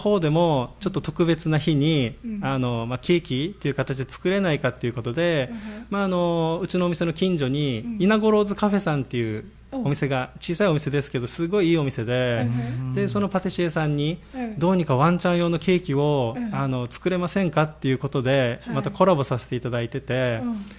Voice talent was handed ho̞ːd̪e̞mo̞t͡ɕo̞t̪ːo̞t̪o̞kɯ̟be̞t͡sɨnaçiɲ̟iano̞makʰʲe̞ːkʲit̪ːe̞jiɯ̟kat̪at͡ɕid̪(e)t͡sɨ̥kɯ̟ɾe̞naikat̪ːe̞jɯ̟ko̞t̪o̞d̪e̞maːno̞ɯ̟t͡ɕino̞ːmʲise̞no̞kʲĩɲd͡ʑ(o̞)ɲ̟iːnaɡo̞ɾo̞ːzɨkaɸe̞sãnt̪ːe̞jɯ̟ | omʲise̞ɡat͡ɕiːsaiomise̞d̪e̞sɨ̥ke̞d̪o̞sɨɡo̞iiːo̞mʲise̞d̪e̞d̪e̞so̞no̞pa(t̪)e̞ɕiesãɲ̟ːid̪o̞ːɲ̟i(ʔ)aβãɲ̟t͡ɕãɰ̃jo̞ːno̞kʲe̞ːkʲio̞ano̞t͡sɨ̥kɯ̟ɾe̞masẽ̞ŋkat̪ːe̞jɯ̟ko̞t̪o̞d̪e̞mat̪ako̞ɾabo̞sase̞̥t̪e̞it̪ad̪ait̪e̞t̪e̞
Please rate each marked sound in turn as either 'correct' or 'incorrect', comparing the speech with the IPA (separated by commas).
correct, correct, correct, incorrect